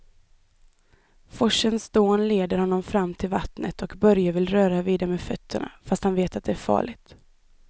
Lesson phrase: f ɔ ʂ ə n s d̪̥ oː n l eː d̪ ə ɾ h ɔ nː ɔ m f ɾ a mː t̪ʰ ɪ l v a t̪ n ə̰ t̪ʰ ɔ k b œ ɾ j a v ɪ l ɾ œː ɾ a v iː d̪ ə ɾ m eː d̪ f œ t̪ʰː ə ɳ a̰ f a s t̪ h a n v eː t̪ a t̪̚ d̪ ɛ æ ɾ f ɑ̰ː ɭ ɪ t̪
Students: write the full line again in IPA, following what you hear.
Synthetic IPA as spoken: f ɔ ʂ ə n s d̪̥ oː n l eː d̪ ə ɾ h ɔ nː ɔ m f ɾ a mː t̪ʰ ɪ l v a t̪ n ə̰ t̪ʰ ɔ k b œ ɾ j a v ɪ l ɾ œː ɾ a v iː d̪ a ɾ m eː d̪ f œ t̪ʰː ə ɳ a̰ f a s t̪ h a n v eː t̪ a t̪̚ d̪ ɛ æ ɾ f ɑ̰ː ɭ ɪ t̪